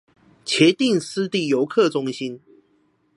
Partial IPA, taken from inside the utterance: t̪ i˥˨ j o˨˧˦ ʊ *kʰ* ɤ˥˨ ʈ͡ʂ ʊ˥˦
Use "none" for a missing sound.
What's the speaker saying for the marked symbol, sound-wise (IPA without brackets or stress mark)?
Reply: kʰ